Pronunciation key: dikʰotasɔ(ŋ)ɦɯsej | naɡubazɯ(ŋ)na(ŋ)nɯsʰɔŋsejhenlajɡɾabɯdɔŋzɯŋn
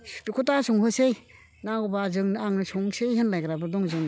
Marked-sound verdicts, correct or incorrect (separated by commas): correct, correct, correct